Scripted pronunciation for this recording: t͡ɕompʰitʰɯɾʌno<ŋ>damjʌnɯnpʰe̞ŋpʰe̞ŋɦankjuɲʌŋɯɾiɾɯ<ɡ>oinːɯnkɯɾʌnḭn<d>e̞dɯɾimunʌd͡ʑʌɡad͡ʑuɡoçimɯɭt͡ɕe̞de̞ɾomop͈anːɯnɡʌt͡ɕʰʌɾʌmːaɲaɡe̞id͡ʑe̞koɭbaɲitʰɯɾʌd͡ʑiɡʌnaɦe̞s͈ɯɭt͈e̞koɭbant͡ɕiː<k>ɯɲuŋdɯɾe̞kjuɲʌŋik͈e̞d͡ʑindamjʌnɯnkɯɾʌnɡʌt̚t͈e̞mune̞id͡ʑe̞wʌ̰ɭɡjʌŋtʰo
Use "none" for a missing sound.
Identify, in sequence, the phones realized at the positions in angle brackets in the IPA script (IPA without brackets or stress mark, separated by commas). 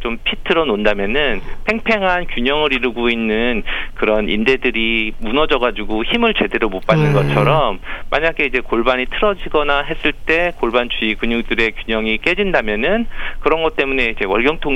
n, ɡ, d, k